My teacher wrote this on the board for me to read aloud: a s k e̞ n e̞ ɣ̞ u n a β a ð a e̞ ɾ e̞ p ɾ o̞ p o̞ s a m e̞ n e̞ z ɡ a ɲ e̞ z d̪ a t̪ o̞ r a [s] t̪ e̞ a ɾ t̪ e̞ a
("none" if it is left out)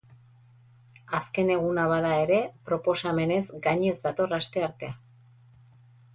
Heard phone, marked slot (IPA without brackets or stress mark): s